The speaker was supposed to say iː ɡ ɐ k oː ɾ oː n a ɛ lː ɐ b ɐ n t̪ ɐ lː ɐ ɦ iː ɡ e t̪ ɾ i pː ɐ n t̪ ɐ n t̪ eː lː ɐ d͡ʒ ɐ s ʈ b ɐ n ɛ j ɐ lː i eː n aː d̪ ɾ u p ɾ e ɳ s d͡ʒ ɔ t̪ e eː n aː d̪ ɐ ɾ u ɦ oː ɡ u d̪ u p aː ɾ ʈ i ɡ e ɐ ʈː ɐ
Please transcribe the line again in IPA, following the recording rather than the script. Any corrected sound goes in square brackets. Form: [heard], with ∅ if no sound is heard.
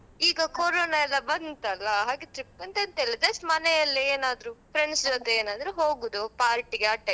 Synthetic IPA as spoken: iː ɡ ɐ k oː ɾ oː n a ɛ lː ɐ b ɐ n t̪ ɐ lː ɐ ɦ [aː] ɡ e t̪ ɾ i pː ɐ n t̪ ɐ n t̪ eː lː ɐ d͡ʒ ɐ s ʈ [m] ɐ n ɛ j ɐ lː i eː n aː d̪ ɾ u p ɾ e ɳ s d͡ʒ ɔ t̪ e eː n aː d̪ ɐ ɾ u ɦ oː ɡ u d̪ u p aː ɾ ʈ i ɡ e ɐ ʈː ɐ